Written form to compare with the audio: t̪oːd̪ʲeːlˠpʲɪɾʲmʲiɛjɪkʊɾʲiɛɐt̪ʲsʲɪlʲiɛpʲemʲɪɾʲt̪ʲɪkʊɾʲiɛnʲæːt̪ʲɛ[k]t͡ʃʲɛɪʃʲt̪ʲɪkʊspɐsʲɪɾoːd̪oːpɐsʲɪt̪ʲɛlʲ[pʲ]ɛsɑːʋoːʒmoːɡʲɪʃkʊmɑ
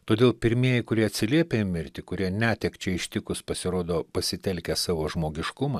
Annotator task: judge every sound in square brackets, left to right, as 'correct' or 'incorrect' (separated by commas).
correct, incorrect